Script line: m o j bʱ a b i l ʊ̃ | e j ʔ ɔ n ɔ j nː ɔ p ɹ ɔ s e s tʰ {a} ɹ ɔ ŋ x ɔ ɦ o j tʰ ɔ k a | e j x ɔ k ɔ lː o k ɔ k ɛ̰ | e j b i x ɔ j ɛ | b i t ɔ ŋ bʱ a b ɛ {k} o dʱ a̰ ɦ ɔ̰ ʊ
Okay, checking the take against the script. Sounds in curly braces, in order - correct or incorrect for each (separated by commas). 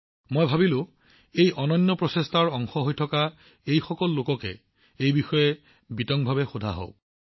correct, incorrect